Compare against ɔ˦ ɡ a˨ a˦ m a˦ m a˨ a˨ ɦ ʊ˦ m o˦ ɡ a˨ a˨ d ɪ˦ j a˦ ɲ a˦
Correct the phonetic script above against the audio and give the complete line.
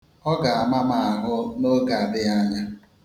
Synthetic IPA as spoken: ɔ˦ ɡ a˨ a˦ m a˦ m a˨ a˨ ɦ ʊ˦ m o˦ ɡ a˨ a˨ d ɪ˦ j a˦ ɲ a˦